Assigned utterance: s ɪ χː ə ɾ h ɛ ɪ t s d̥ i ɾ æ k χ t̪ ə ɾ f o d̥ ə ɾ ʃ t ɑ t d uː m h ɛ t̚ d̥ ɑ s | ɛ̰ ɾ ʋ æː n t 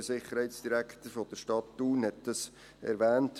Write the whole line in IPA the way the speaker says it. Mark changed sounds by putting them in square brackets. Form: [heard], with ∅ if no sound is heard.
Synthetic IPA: s ɪ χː ə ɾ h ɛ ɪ t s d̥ i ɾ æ k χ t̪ ə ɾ f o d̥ ə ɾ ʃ t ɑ t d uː [n] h ɛ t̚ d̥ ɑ s | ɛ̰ ɾ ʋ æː n t